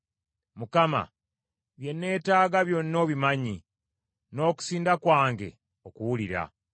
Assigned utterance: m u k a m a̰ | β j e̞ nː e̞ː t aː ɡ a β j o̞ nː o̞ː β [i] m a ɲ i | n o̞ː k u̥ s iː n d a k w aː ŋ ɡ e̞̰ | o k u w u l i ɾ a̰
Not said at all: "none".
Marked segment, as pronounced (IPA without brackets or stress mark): i